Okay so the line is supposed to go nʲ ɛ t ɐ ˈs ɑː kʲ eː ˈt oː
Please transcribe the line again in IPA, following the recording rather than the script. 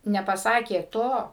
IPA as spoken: nʲ ɛ p ɐ ˈs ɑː kʲ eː ˈt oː